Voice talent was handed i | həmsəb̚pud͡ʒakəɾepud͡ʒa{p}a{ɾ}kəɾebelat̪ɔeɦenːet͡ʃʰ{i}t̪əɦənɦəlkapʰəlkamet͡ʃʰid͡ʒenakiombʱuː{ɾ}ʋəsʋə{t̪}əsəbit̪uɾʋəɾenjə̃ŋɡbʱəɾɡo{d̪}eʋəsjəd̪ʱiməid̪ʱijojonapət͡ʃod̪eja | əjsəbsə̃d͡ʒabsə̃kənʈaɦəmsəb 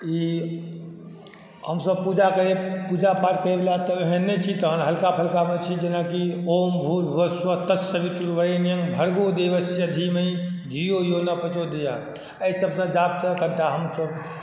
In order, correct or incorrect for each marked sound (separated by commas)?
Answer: correct, correct, correct, incorrect, correct, correct